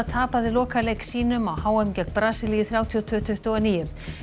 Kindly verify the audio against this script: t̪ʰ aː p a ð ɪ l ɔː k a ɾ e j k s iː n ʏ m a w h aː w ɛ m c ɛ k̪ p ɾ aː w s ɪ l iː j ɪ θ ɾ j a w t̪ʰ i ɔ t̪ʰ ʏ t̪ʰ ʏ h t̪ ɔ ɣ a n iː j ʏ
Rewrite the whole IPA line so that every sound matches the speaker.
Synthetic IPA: t̪ʰ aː p a ð ɪ l ɔː k a l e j k s iː n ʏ m a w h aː w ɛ m c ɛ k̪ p ɾ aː s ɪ l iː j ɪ θ ɾ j a w t̪ʰ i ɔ t̪ʰ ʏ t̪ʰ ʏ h t̪ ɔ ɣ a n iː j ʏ